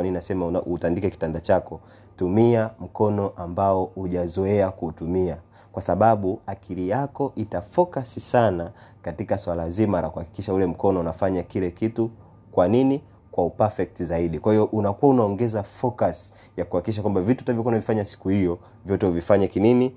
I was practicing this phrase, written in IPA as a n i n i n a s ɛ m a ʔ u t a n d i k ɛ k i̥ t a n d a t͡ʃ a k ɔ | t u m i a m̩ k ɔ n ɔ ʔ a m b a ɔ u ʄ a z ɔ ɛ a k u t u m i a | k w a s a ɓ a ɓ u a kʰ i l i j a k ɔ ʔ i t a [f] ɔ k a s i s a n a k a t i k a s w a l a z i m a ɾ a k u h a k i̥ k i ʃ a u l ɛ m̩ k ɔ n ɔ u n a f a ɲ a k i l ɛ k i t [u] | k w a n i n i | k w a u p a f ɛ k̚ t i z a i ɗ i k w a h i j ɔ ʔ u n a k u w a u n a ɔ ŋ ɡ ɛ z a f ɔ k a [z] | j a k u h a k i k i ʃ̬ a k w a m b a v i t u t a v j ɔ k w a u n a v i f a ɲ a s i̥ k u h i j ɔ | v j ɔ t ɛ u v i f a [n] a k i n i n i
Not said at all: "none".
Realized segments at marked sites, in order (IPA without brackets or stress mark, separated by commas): f, u, s, ɲ